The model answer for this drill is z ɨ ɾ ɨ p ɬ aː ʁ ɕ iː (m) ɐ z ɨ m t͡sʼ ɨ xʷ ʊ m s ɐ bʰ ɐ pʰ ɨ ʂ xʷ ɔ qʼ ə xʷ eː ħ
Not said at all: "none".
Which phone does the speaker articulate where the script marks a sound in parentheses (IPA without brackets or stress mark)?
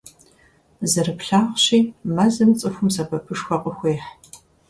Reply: m